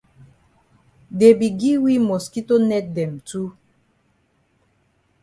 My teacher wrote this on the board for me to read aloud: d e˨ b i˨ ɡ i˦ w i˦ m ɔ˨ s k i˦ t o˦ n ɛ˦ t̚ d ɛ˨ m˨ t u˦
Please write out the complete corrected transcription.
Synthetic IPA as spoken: d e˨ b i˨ ɡ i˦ w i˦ m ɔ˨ s k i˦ t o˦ n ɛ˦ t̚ d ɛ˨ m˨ t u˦